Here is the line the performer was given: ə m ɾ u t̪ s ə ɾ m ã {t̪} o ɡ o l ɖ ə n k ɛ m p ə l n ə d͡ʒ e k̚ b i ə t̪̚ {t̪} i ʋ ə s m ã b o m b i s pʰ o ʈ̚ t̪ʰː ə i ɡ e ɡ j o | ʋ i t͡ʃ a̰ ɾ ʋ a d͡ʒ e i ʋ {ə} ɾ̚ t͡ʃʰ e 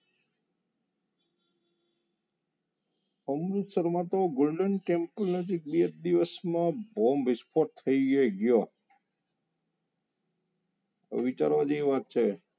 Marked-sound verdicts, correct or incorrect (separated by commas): correct, incorrect, incorrect